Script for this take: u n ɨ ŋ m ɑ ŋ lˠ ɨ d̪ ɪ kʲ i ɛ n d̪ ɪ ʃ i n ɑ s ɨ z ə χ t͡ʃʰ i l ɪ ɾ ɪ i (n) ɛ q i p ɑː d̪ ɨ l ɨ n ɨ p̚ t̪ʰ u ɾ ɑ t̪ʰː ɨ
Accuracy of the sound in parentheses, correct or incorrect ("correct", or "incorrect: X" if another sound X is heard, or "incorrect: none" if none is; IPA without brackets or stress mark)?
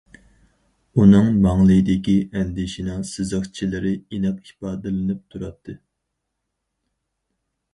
correct